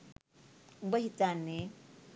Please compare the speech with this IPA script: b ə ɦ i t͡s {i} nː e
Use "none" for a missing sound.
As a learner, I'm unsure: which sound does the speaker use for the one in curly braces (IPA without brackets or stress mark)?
a